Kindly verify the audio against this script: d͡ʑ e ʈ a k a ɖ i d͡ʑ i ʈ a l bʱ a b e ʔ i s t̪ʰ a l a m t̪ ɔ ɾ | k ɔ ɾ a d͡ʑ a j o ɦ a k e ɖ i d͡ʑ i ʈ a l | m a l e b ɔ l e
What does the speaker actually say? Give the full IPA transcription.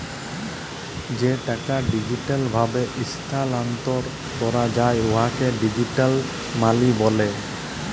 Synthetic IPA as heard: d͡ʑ e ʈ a k a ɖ i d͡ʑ i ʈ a l bʱ a b e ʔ i s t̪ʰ a l a n t̪ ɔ ɾ | k ɔ ɾ a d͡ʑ a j o ɦ a k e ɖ i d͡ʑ i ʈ a l | m a l i b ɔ l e